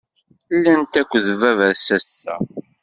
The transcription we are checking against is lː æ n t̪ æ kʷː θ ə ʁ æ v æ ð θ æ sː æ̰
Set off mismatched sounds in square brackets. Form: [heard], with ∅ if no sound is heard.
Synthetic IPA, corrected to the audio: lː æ n t̪ æ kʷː [ð] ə [v] æ v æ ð [s] æ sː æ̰